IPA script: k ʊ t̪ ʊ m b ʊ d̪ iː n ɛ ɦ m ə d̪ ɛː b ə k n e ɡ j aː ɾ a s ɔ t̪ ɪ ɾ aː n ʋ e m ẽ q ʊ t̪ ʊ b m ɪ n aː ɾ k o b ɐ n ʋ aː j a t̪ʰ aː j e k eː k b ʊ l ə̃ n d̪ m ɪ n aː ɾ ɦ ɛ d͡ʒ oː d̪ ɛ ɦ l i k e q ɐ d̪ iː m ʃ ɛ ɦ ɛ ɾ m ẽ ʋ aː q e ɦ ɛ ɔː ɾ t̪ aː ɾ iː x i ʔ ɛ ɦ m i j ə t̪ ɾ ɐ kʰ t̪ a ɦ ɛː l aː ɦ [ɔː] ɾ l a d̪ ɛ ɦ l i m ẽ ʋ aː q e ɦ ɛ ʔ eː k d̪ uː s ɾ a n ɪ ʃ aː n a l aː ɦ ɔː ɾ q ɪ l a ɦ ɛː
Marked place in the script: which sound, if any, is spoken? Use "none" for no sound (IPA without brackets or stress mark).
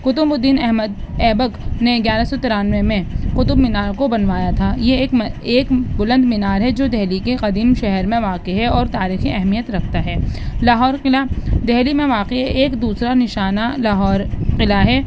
ɔː